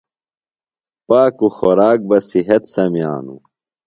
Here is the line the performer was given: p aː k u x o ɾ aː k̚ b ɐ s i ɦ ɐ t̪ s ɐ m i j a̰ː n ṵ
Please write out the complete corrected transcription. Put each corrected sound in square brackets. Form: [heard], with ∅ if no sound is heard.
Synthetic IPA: p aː k u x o ɾ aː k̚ b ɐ s i ɦ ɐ t̪ s ɐ m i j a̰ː n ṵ